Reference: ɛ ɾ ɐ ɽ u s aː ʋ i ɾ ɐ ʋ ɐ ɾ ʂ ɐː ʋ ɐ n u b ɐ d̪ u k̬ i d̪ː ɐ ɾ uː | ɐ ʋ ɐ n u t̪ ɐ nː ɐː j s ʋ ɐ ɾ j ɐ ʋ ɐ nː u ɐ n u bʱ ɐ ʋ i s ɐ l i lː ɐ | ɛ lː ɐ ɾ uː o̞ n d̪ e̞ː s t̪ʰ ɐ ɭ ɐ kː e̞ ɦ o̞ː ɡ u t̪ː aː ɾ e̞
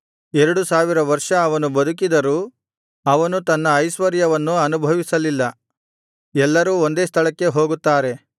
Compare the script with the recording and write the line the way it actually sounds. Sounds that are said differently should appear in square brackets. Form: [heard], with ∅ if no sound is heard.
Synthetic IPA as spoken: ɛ ɾ ɐ ɽ u s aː ʋ i ɾ ɐ ʋ ɐ ɾ ʂ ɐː ʋ ɐ n u b ɐ d̪ u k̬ i [d̪] ɐ ɾ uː | ɐ ʋ ɐ n u t̪ ɐ nː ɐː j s ʋ ɐ ɾ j ɐ ʋ ɐ nː u ɐ n u bʱ ɐ ʋ i s ɐ l i lː ɐ | ɛ lː ɐ ɾ uː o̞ n d̪ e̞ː s t̪ʰ ɐ ɭ ɐ kː e̞ ɦ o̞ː ɡ u t̪ː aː ɾ e̞